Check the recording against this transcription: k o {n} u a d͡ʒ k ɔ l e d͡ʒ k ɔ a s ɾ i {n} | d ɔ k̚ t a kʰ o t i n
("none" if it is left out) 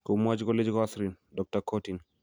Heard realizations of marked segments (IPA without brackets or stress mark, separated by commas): m, n